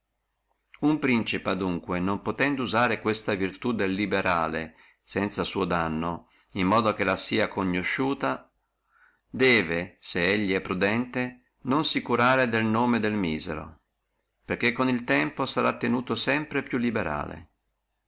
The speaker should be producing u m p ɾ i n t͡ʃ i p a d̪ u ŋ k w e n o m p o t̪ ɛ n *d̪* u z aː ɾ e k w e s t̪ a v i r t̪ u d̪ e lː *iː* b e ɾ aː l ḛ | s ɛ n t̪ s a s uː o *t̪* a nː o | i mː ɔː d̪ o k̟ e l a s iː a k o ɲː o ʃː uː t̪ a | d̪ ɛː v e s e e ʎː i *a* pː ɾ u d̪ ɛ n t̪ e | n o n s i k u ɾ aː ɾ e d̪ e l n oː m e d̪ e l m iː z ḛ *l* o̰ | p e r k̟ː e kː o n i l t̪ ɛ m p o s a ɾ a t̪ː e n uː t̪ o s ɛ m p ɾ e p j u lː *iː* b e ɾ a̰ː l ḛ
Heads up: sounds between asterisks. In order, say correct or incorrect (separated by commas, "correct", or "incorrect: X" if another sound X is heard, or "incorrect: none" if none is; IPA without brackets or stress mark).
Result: correct, incorrect: i, incorrect: d̪, incorrect: ɛ, incorrect: ɾ, incorrect: i